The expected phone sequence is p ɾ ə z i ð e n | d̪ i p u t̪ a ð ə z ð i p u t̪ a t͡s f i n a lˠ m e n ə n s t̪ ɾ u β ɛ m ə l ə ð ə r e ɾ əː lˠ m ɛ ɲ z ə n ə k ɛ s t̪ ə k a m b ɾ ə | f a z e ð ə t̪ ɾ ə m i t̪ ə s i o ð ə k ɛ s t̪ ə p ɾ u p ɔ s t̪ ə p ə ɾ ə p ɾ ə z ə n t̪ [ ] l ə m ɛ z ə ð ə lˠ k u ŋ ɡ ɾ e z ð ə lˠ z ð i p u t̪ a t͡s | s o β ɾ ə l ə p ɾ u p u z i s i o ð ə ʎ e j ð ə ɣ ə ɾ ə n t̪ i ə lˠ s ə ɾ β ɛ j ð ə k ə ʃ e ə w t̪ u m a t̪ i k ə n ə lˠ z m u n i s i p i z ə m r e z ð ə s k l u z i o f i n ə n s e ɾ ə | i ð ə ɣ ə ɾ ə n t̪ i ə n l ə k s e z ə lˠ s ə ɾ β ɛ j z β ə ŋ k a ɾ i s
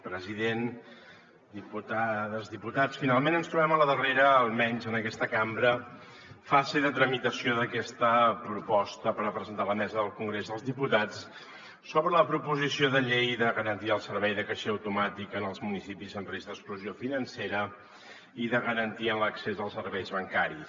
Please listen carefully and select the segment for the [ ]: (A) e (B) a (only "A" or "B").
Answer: B